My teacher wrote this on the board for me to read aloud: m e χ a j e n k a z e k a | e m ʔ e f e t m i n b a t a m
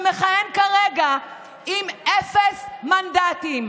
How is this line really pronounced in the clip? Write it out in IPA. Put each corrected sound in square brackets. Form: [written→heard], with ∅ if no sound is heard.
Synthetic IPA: m e χ a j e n k a [z→ʁ] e [k→ɡ] a | [e→i] m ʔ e f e [t→s] m [i→a] n [b→d] a t [a→i] m